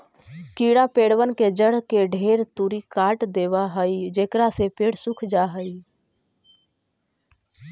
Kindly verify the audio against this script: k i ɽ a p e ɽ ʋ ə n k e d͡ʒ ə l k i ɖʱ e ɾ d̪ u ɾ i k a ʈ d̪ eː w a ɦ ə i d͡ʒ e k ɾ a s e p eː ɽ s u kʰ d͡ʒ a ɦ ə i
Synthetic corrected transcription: k i ɽ a p e ɽ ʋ ə n k e d͡ʒ ə ɽ k e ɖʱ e ɾ t̪ u ɾ i k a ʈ d̪ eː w a ɦ ə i d͡ʒ e k ɾ a s e p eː ɽ s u kʰ d͡ʒ a ɦ ə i